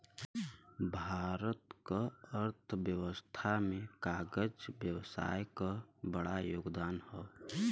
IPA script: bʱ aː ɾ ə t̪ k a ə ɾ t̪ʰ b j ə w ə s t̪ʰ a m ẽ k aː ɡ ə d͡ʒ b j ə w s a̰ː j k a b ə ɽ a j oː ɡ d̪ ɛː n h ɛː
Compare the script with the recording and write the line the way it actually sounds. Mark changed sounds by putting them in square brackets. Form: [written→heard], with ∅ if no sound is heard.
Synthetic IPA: bʱ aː ɾ ə t̪ k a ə ɾ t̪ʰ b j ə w ə s t̪ʰ a m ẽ k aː ɡ ə d͡ʒ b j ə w s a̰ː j k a b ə ɽ a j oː ɡ d̪ [ɛː→aː] n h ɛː